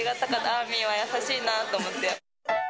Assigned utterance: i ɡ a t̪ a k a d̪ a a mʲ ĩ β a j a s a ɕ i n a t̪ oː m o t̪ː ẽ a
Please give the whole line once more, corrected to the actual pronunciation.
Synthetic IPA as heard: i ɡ a t̪ a k a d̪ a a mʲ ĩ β a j a s a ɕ iː n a t̪ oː m o t̪ː e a